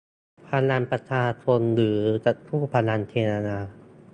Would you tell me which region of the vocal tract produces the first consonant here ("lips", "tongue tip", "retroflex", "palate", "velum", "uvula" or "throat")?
lips